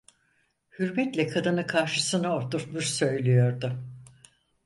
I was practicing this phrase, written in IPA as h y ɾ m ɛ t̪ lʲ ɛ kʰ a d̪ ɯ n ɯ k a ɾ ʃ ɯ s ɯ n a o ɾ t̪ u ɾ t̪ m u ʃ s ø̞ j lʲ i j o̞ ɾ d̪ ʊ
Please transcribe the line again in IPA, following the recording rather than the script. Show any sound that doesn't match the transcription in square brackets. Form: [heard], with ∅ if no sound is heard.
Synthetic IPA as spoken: h y ɾ m ɛ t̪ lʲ ɛ kʰ a d̪ ɯ n ɯ [kʰ] a ɾ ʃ ɯ s ɯ n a o ɾ t̪ u ɾ t̪ m u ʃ s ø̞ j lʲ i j o̞ ɾ d̪ ʊ